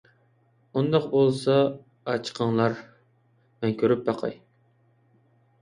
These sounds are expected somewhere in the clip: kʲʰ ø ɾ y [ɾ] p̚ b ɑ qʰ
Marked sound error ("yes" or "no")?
yes